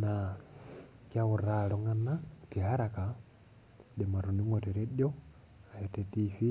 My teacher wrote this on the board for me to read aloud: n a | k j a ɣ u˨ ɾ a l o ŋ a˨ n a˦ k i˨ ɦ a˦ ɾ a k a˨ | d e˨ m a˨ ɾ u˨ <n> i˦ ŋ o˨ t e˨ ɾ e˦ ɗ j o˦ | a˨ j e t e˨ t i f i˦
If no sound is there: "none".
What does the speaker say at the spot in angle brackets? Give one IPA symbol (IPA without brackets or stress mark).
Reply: n